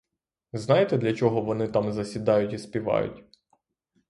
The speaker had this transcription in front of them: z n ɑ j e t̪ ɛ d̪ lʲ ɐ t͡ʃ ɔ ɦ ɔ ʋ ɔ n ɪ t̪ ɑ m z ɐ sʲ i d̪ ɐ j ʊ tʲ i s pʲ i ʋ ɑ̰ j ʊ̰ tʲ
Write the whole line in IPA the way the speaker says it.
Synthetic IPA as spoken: z n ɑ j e t̪ ɛ d̪ lʲ ɐ t͡ʃ ɔ ɦ ɔ ʋ ɔ n ɪ t̪ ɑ m z ɐ sʲ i d̪ ɑ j ʊ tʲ i s pʲ i ʋ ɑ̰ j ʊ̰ tʲ